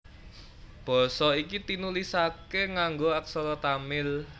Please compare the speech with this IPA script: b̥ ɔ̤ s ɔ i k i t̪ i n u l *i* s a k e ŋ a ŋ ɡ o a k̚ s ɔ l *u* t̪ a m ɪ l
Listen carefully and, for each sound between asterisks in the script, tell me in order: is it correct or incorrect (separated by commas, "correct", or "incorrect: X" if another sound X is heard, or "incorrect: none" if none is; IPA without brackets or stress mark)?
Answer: correct, incorrect: ɔ